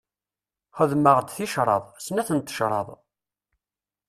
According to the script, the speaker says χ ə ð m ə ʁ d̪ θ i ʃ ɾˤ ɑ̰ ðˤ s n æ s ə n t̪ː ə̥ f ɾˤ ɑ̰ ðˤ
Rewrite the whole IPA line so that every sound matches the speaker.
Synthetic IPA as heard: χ ə ð m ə ʁ d̪ θ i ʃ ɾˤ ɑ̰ ðˤ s n æ θ ə n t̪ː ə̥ ʃ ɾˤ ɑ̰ ðˤ